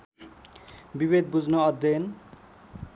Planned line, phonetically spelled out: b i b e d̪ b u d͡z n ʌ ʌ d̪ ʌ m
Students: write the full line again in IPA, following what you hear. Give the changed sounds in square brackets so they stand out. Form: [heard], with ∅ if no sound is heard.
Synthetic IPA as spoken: b i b e d̪ b u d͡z n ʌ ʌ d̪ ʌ [n]